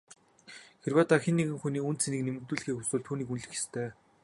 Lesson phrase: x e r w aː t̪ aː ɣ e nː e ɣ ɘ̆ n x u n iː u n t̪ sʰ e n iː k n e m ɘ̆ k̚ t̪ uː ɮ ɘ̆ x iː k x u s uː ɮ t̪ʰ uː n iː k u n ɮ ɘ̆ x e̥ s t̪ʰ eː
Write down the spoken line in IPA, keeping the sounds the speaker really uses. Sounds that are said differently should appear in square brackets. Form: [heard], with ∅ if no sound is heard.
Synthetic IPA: x e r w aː t̪ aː [x] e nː e ɣ ɘ̆ [ŋ] x u n iː u n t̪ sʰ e n iː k n e m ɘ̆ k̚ t̪ uː ɮ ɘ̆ x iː k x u s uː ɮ t̪ʰ uː n iː k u n ɮ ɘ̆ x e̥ s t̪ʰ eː